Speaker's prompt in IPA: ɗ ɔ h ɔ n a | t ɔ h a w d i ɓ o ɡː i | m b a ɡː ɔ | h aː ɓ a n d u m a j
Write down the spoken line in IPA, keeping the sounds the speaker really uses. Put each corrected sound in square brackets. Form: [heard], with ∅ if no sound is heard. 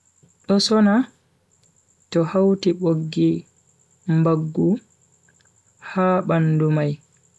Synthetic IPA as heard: ɗ ɔ [s] ɔ n a | t ɔ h a w [t] i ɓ o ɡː i | m b a ɡː [u] | h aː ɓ a n d u m a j